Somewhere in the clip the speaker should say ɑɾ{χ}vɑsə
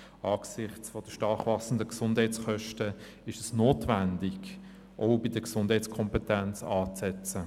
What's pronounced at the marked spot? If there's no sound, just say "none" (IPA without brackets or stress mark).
χ